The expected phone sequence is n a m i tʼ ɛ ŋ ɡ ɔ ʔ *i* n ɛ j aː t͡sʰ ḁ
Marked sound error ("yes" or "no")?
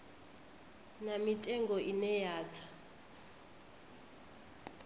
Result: no